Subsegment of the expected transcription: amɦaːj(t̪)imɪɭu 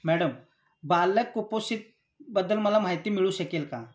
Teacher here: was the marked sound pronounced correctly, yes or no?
yes